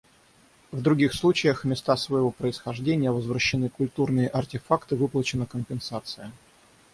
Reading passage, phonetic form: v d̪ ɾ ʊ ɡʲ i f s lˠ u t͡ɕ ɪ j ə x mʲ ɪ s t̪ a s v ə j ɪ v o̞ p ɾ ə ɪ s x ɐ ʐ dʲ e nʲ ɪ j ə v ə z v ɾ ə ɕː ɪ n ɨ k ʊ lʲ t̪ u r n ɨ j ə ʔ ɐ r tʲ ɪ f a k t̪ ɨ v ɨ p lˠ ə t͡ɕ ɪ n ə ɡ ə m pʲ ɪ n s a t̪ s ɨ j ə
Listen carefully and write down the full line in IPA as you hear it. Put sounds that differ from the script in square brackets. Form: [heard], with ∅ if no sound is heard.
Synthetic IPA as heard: v d̪ ɾ ʊ ɡʲ i [x] s lˠ u t͡ɕ ɪ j ə x mʲ ɪ s t̪ a s v ə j ɪ v o̞ p ɾ ə ɪ s x ɐ ʐ dʲ e nʲ ɪ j ə v ə z v ɾ ə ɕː ɪ n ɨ k ʊ lʲ t̪ u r n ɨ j ə ʔ ɐ r tʲ ɪ f a k t̪ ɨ v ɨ p lˠ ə t͡ɕ ɪ n ə [k] ə m pʲ ɪ n s a t̪ s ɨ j ə